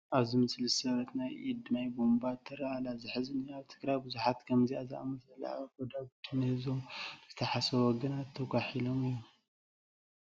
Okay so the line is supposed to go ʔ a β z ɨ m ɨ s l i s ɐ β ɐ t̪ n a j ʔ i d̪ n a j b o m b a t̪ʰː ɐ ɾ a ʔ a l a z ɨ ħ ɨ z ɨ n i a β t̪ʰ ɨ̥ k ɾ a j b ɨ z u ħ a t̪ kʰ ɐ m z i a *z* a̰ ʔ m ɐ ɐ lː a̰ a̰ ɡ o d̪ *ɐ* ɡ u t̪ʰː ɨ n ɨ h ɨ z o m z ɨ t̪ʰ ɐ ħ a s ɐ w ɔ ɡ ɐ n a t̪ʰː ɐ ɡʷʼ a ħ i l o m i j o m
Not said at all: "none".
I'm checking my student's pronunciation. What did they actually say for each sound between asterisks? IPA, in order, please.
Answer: z, a

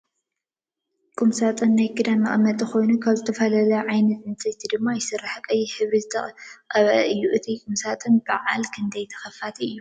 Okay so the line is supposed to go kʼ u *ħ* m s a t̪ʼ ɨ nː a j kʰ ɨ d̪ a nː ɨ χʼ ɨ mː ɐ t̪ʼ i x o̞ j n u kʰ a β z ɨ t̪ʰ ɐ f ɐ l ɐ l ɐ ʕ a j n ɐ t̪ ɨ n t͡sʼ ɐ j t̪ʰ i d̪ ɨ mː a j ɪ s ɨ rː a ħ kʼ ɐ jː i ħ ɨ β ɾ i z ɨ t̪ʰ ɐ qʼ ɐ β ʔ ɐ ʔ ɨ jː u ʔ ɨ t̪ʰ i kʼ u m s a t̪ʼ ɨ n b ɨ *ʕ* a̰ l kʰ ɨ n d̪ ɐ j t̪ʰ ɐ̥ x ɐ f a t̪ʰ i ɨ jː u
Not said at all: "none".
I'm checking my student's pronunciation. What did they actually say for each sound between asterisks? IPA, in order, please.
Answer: none, ʕ

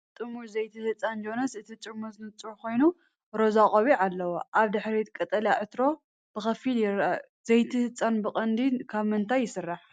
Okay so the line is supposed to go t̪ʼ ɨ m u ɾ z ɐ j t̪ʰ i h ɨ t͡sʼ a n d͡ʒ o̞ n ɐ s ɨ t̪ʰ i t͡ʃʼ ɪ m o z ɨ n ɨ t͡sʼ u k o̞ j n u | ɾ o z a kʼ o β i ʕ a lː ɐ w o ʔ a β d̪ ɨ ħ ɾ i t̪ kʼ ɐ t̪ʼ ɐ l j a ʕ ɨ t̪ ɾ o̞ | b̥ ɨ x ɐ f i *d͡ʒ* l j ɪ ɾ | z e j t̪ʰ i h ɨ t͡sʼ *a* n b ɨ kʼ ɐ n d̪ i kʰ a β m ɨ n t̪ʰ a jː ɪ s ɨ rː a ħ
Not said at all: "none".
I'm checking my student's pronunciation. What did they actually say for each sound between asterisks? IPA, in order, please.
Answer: none, a

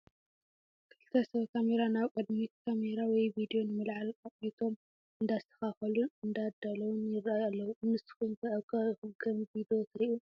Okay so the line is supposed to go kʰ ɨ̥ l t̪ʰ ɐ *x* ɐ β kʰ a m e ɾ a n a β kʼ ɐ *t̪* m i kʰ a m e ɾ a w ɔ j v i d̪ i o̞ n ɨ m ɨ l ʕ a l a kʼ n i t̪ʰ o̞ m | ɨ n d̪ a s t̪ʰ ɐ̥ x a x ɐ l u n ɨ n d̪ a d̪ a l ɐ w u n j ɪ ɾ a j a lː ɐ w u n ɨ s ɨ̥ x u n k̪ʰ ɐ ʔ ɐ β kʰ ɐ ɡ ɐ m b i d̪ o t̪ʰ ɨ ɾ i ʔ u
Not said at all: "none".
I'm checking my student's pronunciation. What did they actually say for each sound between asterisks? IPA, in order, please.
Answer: s, d̪

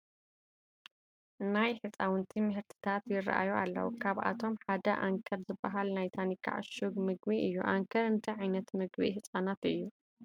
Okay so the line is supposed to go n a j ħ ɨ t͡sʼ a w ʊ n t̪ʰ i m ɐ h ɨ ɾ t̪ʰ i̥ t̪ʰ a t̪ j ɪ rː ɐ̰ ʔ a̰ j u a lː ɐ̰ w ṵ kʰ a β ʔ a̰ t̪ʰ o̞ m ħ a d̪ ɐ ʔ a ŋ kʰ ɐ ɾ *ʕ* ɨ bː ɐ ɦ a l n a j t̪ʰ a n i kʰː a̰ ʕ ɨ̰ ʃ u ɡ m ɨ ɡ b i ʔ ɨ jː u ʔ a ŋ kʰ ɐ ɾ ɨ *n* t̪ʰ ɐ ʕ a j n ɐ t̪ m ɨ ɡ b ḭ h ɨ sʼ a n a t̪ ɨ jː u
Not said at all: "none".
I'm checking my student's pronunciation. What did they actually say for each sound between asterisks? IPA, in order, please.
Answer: z, n

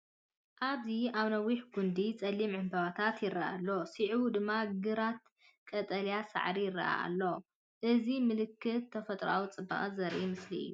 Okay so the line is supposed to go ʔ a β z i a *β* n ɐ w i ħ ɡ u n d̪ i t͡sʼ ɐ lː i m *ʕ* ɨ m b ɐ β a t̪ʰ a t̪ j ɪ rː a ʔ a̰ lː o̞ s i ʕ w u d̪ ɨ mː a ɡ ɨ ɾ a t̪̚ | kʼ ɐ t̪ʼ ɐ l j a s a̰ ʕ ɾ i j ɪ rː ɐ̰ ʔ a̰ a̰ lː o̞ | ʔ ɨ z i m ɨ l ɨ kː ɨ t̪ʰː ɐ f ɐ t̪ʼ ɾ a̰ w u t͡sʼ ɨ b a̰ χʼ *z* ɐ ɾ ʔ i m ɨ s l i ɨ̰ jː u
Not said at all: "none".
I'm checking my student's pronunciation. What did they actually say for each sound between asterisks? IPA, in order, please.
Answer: β, ʕ, z

